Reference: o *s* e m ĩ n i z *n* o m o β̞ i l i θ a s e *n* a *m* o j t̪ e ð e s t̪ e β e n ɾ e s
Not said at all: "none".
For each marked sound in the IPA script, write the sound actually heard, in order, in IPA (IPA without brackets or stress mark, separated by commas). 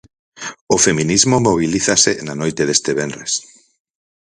f, m, n, n